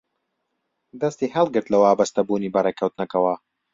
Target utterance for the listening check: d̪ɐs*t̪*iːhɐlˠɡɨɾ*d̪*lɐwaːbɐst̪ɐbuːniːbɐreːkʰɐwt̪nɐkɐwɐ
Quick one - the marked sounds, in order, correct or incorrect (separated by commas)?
correct, incorrect